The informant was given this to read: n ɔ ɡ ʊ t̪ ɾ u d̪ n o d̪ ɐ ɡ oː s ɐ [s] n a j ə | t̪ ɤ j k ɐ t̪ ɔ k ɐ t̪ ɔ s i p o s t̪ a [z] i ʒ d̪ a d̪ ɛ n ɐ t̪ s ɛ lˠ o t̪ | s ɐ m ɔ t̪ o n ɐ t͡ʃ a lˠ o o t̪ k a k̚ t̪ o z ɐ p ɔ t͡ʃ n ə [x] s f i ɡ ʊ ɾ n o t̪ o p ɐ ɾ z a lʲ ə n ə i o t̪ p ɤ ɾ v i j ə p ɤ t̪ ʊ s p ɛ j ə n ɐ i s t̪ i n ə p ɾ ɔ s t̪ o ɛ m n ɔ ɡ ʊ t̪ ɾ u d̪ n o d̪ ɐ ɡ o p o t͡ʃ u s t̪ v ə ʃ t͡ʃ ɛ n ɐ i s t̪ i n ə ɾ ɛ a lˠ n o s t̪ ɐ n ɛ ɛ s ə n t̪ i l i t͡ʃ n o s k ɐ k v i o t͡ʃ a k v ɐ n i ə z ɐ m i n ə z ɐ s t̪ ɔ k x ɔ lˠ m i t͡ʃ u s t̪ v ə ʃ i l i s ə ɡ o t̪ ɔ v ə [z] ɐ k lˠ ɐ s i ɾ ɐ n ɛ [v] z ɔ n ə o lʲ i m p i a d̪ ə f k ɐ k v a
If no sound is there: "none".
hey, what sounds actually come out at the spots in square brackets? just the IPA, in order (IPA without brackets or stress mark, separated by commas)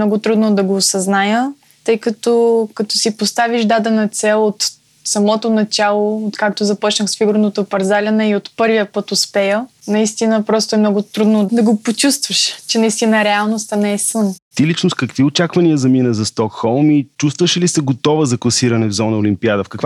z, v, x, z, v